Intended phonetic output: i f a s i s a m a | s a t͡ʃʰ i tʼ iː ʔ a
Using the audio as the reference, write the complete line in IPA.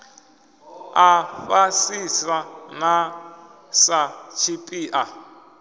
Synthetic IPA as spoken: a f a s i s a n a | s a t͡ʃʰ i pʼ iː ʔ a